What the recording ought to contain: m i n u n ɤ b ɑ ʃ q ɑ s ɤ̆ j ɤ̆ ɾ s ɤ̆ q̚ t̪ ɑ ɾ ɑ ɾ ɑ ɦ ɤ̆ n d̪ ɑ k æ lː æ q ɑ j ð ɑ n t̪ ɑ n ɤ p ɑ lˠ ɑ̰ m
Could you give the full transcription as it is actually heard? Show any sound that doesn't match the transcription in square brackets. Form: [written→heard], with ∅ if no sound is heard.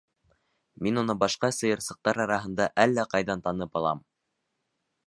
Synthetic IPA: m i n u n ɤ b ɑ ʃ q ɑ s ɤ̆ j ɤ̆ ɾ s ɤ̆ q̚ t̪ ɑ ɾ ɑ ɾ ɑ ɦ ɤ̆ n d̪ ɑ [k→ʔ] æ lː æ q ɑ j ð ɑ n t̪ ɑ n ɤ p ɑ lˠ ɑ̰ m